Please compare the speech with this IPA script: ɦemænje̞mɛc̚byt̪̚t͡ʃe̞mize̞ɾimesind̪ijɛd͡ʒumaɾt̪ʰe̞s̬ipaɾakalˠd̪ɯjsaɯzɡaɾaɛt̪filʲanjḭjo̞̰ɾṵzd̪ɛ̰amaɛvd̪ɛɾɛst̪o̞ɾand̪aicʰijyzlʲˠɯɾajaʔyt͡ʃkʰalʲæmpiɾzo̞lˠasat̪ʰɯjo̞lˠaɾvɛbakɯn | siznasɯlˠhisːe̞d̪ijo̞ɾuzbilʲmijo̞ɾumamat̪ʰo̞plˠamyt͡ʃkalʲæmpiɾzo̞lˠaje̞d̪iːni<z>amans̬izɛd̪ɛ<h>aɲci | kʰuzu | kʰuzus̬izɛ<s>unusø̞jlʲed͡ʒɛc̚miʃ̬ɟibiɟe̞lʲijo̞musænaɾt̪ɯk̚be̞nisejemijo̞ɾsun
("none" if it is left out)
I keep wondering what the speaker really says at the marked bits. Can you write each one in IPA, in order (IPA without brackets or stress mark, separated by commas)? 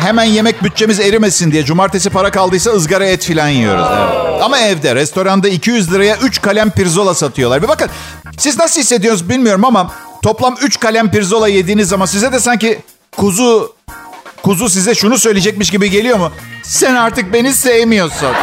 zː, s, ʃ